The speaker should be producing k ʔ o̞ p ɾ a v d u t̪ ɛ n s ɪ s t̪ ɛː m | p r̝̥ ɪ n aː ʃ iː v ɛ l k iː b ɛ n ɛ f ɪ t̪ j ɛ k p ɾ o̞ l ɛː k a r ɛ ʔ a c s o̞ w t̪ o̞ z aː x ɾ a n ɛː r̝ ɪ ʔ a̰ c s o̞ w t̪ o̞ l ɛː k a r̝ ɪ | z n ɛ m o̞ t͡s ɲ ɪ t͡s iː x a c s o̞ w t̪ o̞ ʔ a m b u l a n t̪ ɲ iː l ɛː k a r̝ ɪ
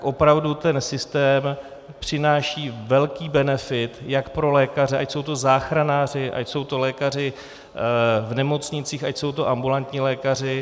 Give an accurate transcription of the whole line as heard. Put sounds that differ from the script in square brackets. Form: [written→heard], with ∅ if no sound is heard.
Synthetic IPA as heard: k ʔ o̞ p ɾ a v d u t̪ ɛ n s ɪ s t̪ ɛː m | p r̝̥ ɪ n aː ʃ iː v ɛ l k iː b ɛ n ɛ f ɪ t̪ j [ɛ→a] k p ɾ o̞ l ɛː k a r ɛ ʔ a c s o̞ w t̪ o̞ z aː x ɾ a n [ɛː→aː] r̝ ɪ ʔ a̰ c s o̞ w t̪ o̞ l ɛː k a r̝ ɪ | [z→v] n ɛ m o̞ t͡s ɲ ɪ t͡s iː x a c s o̞ w t̪ o̞ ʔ a m b u l a n t̪ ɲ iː l ɛː k a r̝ ɪ